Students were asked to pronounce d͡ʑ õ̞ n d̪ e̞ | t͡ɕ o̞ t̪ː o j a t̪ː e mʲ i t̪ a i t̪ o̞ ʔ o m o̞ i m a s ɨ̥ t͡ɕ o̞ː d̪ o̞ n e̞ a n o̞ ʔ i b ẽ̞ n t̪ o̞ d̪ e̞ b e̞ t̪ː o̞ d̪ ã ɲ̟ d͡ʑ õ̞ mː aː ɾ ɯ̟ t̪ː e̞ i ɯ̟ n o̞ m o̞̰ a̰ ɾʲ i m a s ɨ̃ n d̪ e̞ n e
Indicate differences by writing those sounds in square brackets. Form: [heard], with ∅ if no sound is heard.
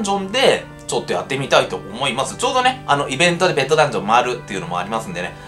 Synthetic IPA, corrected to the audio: d͡ʑ õ̞ n d̪ e̞ | t͡ɕ o̞ t̪ː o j a t̪ː e mʲ i t̪ a i t̪ o̞ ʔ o m o̞ i m a s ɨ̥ t͡ɕ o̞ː d̪ o̞ n e̞ a n o̞ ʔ i b ẽ̞ n t̪ o̞ d̪ e̞ b e̞ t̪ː o̞ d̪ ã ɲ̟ d͡ʑ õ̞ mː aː ɾ ɯ̟ t̪ː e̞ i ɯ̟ n o̞ m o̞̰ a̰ ɾʲ i m a s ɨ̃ n d̪ e̞ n e